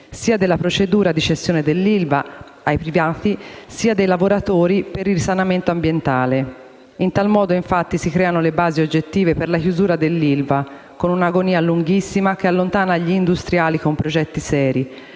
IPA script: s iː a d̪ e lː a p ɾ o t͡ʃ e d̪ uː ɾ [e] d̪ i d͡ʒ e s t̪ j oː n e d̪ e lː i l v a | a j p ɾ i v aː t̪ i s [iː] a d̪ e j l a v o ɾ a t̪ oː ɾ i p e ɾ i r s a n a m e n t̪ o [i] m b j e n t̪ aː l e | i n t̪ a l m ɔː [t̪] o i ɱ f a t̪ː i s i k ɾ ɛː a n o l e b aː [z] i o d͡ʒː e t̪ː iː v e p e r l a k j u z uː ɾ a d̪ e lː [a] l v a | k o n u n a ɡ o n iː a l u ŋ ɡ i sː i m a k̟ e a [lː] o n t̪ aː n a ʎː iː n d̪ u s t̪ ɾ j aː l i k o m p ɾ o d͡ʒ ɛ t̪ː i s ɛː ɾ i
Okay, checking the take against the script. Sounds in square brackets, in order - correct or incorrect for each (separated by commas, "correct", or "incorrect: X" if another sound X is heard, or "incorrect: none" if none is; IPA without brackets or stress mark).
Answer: incorrect: a, correct, incorrect: a, incorrect: d̪, correct, incorrect: i, correct